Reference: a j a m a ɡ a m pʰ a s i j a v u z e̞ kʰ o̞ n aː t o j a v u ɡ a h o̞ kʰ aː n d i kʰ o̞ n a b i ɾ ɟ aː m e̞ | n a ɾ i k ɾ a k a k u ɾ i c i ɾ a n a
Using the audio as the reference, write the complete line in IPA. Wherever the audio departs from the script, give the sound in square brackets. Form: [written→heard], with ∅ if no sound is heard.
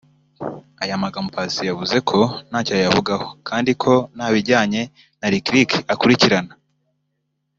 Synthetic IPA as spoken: a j a m a ɡ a m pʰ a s i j a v u z e̞ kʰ o̞ n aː [t→c] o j a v u ɡ a h o̞ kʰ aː n d i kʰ o̞ n a [b→β] i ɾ ɟ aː [m→ɲ] e̞ | n a ɾ i k ɾ [a→i] k a k u ɾ i c i ɾ a n a